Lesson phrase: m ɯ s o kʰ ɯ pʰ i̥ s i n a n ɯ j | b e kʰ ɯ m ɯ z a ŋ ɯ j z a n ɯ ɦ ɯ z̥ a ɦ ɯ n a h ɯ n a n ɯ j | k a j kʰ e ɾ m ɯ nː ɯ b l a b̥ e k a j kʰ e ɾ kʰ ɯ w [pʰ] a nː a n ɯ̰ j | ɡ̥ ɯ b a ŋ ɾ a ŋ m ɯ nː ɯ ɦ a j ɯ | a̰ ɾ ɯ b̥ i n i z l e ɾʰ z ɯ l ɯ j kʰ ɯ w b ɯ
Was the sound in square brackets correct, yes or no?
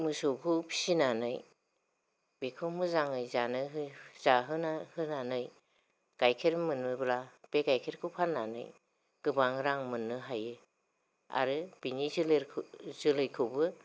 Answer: yes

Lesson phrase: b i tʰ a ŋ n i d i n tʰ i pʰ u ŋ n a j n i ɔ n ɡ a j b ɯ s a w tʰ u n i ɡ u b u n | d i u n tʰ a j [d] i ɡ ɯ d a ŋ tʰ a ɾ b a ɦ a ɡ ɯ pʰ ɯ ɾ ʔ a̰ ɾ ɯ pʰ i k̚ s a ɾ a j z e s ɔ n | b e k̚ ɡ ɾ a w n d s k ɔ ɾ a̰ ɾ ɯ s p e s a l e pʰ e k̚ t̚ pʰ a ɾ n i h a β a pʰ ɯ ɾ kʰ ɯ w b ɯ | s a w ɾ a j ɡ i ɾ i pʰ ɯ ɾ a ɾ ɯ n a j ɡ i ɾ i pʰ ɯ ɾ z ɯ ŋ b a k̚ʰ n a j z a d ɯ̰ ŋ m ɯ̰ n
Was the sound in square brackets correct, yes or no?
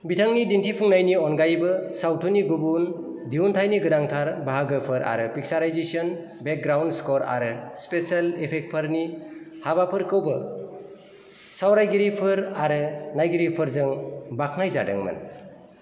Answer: no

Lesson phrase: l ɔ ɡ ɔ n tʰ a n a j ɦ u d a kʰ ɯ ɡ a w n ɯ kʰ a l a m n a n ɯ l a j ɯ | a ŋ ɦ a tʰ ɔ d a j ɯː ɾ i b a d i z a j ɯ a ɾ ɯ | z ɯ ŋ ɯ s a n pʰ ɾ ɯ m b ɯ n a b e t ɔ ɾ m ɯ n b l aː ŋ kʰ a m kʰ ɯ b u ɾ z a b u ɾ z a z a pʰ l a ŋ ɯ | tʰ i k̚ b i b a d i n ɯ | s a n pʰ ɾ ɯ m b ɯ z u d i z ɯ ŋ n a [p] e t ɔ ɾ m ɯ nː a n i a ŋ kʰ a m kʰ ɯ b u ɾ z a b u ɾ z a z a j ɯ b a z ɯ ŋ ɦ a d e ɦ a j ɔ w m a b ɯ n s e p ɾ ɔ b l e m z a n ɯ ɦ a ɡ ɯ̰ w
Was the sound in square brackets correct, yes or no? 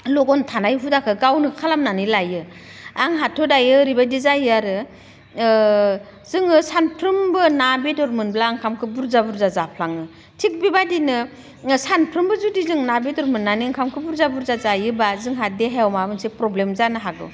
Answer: no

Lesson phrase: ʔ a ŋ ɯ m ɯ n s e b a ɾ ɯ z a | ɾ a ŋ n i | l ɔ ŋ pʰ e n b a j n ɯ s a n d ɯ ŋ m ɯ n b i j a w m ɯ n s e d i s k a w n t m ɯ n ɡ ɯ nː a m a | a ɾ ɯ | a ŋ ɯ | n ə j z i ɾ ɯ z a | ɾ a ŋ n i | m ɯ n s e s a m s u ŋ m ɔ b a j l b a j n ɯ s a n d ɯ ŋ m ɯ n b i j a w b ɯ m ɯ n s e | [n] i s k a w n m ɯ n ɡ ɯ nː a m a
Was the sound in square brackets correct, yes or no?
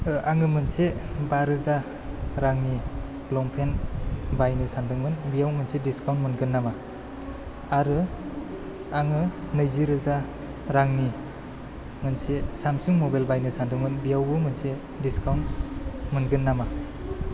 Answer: no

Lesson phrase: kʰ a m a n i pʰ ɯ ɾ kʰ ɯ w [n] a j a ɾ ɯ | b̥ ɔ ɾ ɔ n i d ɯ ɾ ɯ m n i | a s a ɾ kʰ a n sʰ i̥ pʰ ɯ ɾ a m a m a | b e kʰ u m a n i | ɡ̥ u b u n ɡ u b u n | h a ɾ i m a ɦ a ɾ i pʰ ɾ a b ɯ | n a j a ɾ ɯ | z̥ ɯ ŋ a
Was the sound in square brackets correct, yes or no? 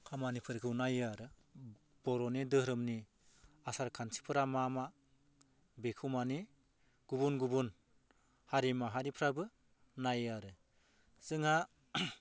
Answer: yes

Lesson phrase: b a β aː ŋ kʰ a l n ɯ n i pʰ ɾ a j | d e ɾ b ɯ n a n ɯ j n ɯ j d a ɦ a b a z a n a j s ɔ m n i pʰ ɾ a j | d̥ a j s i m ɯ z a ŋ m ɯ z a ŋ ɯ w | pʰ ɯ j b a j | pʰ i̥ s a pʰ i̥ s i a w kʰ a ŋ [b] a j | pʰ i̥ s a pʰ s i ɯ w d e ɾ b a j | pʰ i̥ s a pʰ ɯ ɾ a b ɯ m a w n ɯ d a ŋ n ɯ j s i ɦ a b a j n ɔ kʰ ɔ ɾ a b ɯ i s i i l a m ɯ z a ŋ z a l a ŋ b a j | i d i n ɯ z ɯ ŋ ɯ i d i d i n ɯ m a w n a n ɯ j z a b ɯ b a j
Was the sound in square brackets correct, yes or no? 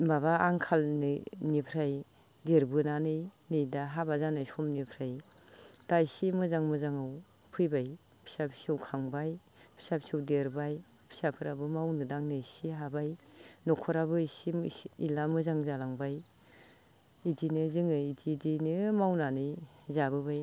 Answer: yes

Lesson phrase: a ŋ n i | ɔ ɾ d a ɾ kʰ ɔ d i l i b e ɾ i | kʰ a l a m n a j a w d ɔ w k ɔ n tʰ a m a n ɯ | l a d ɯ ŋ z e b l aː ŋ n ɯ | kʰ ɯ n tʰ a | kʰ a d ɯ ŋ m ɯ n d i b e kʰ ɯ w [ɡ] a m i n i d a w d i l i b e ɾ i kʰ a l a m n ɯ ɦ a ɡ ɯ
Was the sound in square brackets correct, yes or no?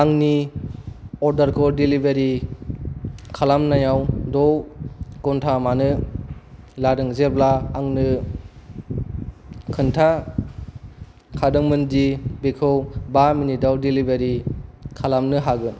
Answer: no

